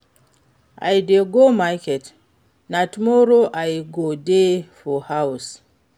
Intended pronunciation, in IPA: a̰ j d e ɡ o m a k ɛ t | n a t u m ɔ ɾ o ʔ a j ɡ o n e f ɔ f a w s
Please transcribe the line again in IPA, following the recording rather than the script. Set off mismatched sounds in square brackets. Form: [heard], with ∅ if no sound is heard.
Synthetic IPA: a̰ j d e ɡ o m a k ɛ t | n a t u m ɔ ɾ o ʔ a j ɡ o [d] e f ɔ [h] a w s